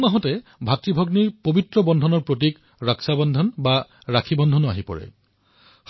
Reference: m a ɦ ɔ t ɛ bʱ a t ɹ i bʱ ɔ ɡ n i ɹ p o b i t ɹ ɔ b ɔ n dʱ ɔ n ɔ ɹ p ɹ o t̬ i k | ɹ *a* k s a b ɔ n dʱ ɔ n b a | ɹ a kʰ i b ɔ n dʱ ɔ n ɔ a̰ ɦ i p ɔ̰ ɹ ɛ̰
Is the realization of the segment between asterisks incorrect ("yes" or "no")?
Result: no